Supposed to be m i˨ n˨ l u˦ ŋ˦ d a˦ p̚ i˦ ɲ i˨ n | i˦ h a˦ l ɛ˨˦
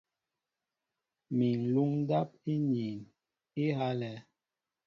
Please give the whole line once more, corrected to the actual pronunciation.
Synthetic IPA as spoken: m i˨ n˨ l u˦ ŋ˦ d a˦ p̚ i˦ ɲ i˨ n | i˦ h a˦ l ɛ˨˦